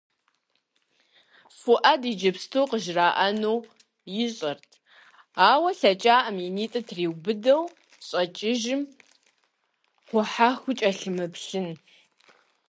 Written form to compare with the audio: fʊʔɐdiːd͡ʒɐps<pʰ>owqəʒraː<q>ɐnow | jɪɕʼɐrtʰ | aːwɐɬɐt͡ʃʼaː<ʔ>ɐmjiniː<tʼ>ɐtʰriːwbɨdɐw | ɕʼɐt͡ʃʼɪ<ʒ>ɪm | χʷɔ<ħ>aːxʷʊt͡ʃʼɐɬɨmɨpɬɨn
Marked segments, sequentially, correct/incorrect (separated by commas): incorrect, incorrect, correct, correct, correct, correct